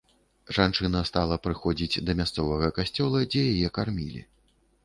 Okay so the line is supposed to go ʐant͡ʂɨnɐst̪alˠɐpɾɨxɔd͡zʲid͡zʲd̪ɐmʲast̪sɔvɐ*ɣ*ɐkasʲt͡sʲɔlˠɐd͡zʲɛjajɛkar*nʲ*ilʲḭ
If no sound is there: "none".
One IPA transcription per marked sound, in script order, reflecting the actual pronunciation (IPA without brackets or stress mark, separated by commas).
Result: ɣ, mʲ